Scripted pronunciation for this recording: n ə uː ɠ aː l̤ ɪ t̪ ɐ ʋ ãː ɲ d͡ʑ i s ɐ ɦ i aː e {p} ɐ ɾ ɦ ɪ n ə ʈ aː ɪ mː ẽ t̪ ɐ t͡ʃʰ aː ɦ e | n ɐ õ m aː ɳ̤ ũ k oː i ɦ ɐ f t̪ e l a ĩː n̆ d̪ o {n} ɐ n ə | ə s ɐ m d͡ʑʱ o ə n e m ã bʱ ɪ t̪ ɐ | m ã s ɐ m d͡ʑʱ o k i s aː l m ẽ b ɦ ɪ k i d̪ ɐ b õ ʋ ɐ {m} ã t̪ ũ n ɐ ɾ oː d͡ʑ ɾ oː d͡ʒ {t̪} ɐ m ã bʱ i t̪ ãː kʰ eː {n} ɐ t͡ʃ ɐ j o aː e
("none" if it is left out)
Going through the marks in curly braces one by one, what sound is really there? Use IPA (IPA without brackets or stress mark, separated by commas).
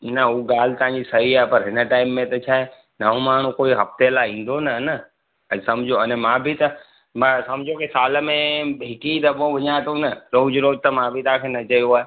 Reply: p, n, ɲ, t̪, n